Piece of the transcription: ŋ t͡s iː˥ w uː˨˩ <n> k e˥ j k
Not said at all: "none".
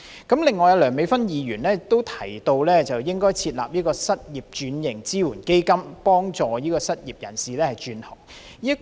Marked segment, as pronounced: n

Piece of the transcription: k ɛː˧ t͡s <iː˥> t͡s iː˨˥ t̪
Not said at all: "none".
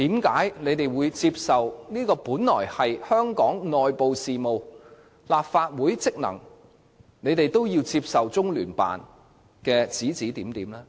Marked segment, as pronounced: iː˨˥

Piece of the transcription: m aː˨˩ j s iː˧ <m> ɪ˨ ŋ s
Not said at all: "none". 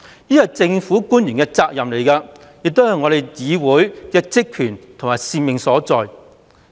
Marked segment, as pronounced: m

